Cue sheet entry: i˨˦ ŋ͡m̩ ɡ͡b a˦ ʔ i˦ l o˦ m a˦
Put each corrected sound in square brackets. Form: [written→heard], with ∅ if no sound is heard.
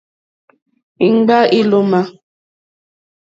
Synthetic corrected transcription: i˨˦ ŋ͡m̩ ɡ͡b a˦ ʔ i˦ l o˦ m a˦